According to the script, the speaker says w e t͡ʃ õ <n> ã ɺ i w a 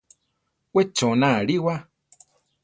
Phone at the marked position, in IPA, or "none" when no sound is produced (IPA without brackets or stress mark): n